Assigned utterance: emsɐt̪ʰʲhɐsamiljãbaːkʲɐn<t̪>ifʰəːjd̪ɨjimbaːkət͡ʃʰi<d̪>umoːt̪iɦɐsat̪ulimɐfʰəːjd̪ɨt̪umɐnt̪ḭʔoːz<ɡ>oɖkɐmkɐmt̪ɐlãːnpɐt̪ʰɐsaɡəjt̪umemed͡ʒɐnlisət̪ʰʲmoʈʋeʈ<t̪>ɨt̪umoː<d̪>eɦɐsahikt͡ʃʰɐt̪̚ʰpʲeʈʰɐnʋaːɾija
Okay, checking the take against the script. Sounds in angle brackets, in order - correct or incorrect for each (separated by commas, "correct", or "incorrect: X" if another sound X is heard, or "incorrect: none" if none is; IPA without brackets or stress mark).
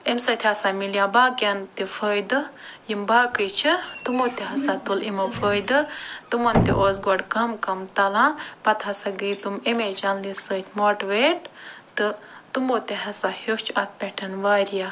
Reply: correct, incorrect: t̪, correct, correct, incorrect: t̪